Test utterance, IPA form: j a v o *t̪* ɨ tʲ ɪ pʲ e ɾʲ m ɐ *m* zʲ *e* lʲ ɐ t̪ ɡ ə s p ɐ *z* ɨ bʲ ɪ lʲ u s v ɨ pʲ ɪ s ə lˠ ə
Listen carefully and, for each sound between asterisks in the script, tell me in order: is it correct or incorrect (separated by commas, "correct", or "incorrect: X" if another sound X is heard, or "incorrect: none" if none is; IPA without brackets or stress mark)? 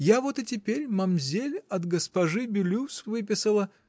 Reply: correct, correct, correct, incorrect: ʐ